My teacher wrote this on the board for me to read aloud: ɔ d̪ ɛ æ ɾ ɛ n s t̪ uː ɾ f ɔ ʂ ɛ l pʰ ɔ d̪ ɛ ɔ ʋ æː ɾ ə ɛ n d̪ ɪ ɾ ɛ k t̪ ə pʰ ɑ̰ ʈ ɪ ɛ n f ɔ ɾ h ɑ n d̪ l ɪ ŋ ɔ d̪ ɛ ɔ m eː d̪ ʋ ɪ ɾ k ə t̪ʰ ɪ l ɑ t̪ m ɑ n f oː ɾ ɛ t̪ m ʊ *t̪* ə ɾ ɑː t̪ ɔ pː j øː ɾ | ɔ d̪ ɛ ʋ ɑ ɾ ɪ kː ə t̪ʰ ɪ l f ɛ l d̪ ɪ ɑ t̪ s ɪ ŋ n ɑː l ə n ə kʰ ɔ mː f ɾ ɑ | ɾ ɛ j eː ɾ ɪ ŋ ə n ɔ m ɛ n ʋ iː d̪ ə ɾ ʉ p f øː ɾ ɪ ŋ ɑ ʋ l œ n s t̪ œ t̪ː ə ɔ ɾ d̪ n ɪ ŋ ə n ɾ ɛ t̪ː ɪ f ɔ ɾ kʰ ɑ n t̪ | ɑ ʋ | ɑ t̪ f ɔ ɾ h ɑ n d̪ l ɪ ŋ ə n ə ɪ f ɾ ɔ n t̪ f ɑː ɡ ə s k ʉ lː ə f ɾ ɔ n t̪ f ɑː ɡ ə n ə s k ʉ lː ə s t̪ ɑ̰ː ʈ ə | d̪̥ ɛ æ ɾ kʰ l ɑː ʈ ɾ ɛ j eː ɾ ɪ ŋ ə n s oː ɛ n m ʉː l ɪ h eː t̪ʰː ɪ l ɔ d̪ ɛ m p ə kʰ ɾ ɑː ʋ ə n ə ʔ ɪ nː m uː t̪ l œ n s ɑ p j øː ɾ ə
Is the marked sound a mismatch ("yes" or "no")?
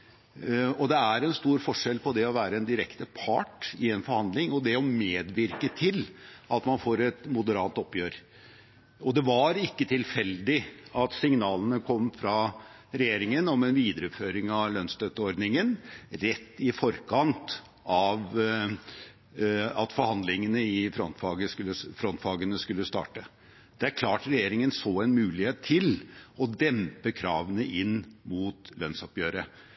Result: yes